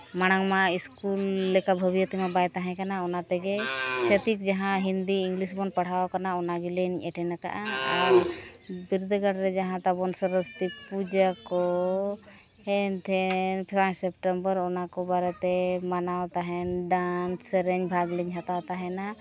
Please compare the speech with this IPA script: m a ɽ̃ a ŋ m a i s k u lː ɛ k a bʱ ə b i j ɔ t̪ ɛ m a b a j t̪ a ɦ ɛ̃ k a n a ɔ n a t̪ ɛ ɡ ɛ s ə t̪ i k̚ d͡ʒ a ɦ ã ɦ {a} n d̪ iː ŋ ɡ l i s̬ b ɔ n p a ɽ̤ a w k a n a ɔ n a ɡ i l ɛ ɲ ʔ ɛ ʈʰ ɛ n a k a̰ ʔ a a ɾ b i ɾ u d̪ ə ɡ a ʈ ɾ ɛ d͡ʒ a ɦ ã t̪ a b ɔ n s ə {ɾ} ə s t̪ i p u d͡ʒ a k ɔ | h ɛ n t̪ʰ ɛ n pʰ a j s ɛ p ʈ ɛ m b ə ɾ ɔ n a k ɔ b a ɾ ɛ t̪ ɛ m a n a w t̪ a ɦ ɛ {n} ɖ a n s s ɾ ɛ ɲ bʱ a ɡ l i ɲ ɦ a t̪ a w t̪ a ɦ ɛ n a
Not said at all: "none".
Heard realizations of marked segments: i, ɾ, n

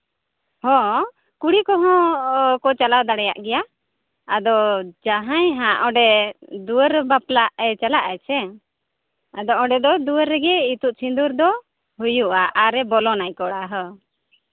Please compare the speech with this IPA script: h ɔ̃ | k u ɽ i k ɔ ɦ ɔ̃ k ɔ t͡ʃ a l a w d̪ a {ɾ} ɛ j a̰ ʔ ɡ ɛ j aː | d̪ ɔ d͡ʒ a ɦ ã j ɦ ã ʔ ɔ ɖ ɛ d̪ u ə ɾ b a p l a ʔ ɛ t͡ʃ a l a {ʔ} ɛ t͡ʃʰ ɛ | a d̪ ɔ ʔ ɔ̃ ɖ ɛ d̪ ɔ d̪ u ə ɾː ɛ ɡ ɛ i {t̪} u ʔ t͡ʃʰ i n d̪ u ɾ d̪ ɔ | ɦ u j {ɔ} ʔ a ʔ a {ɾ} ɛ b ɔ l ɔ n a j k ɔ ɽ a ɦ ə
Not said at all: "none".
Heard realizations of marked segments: ɽ, ʔ, t̪, u, ɾ

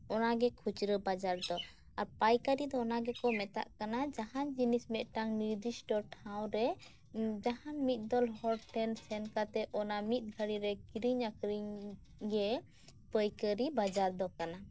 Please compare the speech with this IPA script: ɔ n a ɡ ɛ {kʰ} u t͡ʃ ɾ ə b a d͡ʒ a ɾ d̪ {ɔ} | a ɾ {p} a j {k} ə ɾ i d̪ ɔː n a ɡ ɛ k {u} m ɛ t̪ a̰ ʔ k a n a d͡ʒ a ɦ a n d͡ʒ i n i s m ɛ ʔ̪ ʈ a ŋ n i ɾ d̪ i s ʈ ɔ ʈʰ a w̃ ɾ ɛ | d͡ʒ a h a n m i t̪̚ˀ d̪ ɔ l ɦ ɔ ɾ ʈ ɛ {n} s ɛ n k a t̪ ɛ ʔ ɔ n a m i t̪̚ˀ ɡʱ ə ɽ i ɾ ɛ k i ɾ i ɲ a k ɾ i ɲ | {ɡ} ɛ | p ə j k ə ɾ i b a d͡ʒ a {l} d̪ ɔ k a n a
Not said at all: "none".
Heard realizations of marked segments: kʰ, ɔ, p, k, ɔ, n, ɡ, ɾ

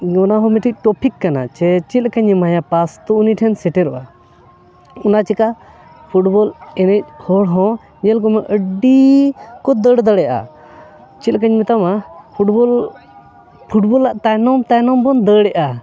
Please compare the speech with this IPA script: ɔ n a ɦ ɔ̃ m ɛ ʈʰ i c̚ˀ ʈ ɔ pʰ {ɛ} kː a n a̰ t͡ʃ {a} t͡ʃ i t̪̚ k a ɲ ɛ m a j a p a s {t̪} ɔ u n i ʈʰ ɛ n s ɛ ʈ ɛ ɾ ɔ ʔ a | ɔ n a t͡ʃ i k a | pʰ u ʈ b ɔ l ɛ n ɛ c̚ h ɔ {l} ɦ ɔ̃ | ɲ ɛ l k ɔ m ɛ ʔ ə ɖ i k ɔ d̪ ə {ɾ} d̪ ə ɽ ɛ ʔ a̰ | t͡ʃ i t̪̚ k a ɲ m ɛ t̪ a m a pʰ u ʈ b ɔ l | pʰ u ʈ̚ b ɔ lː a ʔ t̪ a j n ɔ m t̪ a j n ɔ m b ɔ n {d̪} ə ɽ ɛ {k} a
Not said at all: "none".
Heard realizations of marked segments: i, ɛ, t̪, ɽ, ɽ, d̪, ʔ

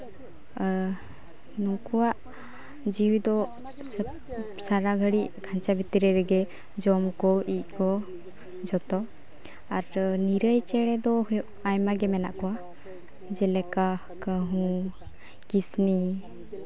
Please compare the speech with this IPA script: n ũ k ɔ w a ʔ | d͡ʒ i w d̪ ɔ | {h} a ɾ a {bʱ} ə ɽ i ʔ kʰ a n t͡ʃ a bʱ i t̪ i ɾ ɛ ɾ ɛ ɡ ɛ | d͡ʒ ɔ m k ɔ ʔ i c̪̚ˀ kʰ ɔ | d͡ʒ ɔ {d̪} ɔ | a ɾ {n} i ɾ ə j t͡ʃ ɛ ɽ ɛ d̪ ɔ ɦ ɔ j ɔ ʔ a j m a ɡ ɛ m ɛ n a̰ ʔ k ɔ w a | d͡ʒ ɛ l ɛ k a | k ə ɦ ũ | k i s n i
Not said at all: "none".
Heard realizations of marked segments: s, ɡʱ, t̪, n

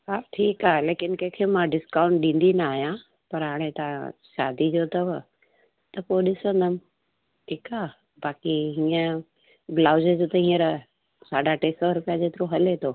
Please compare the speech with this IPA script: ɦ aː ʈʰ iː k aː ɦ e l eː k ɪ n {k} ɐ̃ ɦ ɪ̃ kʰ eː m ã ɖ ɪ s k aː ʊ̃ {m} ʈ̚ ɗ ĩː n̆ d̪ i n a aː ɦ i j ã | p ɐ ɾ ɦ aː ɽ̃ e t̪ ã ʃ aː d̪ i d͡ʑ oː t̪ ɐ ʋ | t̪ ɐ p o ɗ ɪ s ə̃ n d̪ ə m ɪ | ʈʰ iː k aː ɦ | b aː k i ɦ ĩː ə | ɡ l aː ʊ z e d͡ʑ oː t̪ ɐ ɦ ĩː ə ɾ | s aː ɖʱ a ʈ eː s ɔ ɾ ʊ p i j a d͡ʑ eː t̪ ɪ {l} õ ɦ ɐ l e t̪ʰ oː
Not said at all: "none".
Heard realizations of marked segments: k, ɳ, ɾ

